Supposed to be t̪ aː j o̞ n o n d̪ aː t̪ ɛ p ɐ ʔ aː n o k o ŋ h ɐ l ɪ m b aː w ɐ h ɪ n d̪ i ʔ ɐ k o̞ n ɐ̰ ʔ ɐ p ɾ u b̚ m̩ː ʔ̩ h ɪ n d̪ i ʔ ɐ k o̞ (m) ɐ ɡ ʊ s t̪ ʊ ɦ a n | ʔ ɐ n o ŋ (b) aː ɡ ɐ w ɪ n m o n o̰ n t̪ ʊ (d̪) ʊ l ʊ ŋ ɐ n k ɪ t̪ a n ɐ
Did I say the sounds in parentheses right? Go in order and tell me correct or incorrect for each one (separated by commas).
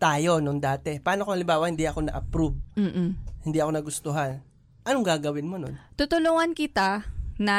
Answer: incorrect, incorrect, incorrect